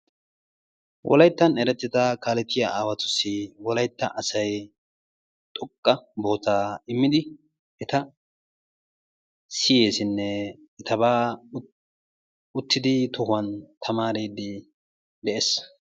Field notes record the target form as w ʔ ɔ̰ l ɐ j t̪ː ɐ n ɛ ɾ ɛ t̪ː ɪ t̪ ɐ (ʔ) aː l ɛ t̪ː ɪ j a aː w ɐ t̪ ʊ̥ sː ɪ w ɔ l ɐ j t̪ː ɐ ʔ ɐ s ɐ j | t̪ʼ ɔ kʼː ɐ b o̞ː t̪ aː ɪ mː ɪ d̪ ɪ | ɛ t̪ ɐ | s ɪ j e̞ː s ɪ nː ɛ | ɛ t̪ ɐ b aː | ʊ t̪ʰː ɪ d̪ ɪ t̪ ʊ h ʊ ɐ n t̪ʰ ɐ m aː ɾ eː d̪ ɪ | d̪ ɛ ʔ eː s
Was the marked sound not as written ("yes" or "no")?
yes